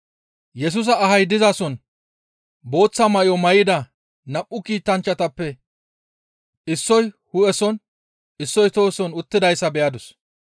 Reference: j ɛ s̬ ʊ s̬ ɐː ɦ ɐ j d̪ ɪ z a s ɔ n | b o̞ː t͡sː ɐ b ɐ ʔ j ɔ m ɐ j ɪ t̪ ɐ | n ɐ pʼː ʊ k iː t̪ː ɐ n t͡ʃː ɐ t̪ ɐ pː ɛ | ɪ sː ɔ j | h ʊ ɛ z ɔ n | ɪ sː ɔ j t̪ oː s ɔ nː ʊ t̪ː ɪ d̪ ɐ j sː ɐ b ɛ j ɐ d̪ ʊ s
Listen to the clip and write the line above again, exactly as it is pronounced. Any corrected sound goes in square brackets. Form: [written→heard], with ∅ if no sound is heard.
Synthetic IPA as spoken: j ɛ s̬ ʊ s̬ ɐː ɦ ɐ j d̪ ɪ z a s ɔ n | b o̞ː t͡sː ɐ [b→m] ɐ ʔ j ɔ m ɐ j ɪ [t̪→d̪] ɐ | n ɐ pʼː ʊ k iː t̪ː ɐ n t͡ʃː ɐ t̪ ɐ pː ɛ | ɪ sː ɔ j | h ʊ ɛ [z→s] ɔ n | ɪ sː ɔ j t̪ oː s ɔ [nː→n] ʊ t̪ː ɪ d̪ ɐ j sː ɐ b ɛ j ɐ d̪ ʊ s